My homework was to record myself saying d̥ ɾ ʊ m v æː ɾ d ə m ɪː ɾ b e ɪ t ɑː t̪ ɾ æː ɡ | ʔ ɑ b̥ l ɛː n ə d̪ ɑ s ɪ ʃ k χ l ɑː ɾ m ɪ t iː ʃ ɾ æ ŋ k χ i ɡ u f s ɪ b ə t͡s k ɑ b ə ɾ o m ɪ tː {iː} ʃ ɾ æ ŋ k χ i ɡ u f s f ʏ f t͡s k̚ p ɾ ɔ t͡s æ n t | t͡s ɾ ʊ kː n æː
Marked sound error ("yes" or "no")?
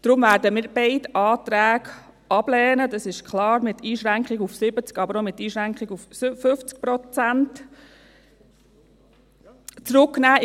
no